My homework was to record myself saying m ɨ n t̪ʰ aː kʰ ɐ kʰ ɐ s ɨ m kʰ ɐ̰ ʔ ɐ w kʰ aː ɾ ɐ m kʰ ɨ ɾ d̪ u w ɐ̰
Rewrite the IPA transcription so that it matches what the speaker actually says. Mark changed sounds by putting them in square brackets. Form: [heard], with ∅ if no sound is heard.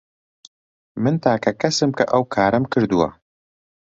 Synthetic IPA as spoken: m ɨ n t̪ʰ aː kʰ ɐ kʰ ɐ s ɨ m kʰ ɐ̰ ʔ ɐ w kʰ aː ɾ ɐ m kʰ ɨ ɾ d̪ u w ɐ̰